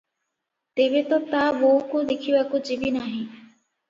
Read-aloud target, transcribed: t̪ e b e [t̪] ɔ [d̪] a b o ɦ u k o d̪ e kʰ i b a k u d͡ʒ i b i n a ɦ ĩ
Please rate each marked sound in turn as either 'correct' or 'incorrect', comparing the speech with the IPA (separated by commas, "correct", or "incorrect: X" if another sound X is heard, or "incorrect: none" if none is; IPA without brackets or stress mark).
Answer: correct, incorrect: t̪